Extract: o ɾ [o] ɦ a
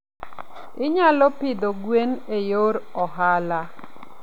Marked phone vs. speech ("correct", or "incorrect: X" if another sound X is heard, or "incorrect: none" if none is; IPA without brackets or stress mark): incorrect: ɔ